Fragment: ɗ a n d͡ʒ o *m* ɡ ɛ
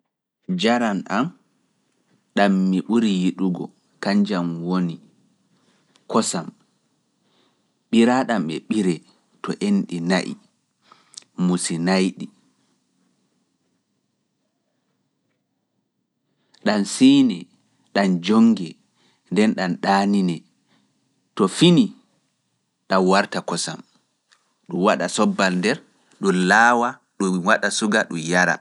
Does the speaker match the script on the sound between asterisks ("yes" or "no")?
no